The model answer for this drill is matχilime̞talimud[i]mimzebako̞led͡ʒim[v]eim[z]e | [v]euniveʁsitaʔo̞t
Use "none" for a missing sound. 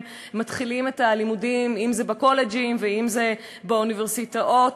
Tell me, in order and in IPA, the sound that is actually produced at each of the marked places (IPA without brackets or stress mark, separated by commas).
i, v, z, b